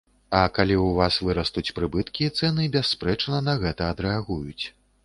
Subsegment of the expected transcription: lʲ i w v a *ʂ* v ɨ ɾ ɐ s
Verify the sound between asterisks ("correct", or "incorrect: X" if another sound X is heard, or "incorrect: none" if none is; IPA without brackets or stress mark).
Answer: incorrect: s